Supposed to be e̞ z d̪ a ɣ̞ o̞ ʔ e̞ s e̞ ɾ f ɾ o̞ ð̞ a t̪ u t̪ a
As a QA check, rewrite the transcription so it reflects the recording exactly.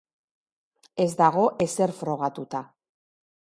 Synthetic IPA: e̞ z d̪ a ɣ̞ o̞ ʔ e̞ s e̞ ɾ f ɾ o̞ ɣ̞ a t̪ u t̪ a

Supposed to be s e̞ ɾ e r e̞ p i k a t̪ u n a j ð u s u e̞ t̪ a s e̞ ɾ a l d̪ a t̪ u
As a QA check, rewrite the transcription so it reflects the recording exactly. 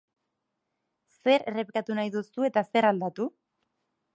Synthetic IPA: s e̞ ɾ e r e̞ p i k a t̪ u n a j ð u s u e̞ t̪ a s e̞ ɾ a l d̪ a t̪ u

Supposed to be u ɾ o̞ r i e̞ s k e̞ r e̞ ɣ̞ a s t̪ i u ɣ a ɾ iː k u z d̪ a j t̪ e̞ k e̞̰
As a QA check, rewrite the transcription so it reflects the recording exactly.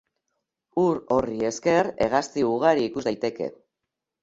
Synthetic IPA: u ɾ o̞ r i e̞ s k e̞ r e̞ ɣ̞ a s t̪ i u ɣ a ɾ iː k u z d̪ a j t̪ e̞ k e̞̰

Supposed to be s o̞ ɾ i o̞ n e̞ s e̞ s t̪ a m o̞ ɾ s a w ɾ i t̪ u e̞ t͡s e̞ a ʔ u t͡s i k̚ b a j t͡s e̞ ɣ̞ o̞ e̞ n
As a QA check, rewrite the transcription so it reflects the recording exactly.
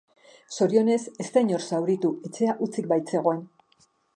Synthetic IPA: s o̞ ɾ i o̞ n e̞ s e̞ s t̪ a ɲ o̞ ɾ s a w ɾ i t̪ u e̞ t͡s e̞ a ʔ u t͡s i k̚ b a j t͡s e̞ ɣ̞ o̞ e̞ n

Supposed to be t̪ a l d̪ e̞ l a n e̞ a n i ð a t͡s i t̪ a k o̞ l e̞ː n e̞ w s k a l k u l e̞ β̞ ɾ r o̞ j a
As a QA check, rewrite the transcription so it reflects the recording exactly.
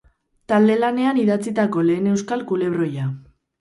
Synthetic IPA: t̪ a l d̪ e̞ l a n e̞ a n i ð a t͡s i t̪ a k o̞ l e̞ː n e̞ w s k a l k u l e̞ β̞ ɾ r o̞ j a

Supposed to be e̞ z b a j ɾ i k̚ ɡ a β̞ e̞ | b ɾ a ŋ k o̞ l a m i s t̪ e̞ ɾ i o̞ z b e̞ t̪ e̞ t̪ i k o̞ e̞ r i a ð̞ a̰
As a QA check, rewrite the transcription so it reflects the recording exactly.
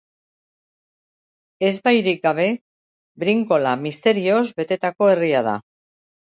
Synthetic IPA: e̞ z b a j ɾ i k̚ ɡ a β̞ e̞ | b ɾ i ŋ k o̞ l a m i s t̪ e̞ ɾ i o̞ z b e̞ t̪ e̞ t̪ a k o̞ e̞ r i a ð̞ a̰

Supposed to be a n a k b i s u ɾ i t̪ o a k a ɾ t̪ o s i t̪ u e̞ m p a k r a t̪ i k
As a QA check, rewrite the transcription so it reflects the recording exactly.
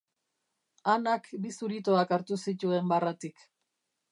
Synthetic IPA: a n a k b i s u ɾ i t̪ o a k a ɾ t̪ u s i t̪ u e̞ m b a r a t̪ i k

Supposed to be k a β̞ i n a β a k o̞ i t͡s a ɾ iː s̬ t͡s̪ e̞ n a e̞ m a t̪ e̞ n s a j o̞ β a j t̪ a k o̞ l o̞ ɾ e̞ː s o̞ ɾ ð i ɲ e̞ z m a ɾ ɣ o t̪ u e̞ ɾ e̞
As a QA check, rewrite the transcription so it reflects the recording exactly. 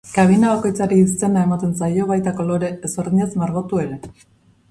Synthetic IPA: k a β̞ i n a β a k o̞ j t͡s a ɾ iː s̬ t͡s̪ e̞ n a e̞ m a t̪ e̞ n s a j o̞ β a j t̪ a k o̞ l o̞ ɾ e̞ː s o̞ ɾ ð i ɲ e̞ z m a ɾ ɣ o t̪ u e̞ ɾ e̞

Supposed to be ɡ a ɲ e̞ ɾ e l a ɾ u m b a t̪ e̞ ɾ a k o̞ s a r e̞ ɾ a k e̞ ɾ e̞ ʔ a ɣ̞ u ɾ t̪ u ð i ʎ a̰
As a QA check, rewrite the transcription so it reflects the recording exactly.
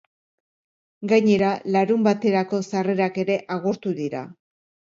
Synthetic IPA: ɡ a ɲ e̞ ɾ a l a ɾ u m b a t̪ e̞ ɾ a k o̞ s a r e̞ ɾ a k e̞ ɾ e̞ ʔ a ɣ̞ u ɾ t̪ u ð i ɾ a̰

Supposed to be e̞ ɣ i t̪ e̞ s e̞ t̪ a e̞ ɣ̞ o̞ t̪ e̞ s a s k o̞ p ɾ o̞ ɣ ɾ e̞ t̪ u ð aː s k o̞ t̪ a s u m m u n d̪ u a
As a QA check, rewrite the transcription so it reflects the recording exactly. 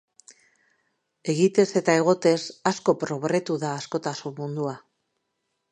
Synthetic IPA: e̞ ɣ i t̪ e̞ s e̞ t̪ a e̞ ɣ̞ o̞ t̪ e̞ s a s k o̞ p ɾ o̞ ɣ ɾ e̞ t̪ u ð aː s k o̞ t̪ a s u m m u n d̪ u a

